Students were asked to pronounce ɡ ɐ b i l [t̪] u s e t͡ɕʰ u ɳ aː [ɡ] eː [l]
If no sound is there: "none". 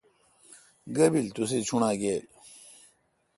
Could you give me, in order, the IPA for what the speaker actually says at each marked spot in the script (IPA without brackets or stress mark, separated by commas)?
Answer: t̪, ɡ, l